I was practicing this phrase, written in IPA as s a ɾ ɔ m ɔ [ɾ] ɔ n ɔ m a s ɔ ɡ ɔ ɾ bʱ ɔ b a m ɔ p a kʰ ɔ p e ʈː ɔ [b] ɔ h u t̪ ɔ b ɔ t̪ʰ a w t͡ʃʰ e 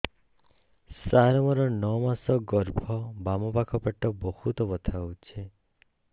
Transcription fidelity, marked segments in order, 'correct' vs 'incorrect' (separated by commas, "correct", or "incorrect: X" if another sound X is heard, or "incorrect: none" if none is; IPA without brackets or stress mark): correct, correct